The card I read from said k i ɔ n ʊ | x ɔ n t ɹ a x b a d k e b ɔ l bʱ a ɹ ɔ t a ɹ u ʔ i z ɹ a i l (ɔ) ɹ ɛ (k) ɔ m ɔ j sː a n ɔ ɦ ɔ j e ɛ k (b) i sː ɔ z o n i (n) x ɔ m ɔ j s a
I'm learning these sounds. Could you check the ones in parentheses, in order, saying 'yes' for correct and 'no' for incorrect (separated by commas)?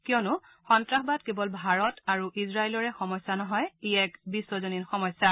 yes, no, yes, yes